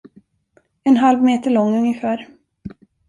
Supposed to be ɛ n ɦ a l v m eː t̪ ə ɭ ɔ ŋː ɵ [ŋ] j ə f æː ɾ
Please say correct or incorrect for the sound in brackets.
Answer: correct